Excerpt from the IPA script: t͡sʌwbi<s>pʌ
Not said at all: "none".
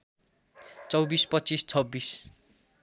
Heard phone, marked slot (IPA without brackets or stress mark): s